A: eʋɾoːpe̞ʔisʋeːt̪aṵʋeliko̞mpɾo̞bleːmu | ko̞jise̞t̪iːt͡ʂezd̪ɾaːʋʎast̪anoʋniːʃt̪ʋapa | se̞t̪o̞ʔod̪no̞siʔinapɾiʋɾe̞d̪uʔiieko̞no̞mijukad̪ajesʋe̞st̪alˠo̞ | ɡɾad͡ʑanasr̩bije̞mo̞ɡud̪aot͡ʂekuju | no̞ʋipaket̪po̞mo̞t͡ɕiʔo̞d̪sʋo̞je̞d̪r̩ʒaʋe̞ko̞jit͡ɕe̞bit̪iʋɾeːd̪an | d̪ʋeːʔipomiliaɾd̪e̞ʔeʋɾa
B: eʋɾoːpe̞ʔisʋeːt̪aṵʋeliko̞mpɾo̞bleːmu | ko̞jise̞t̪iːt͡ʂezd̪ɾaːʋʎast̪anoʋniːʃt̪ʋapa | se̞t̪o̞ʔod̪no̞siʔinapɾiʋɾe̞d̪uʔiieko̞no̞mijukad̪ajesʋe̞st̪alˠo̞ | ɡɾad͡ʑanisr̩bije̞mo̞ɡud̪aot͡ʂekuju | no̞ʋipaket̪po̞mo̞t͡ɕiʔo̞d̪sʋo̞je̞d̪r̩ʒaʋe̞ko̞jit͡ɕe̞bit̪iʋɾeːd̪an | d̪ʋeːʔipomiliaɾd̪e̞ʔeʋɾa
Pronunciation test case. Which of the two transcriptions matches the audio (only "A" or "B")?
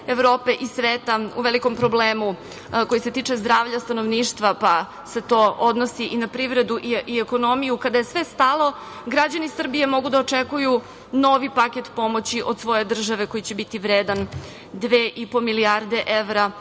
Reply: B